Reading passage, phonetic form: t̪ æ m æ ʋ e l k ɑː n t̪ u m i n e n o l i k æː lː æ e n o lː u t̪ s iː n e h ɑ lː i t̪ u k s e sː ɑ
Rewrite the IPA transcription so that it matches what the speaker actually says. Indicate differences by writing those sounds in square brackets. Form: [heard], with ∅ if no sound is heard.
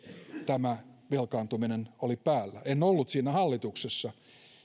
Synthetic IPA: t̪ æ m æ ʋ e l k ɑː n t̪ u m i n e n o l i [p] æː lː æ e n o lː u t̪ s iː n [æ] h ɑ lː i t̪ u k s e sː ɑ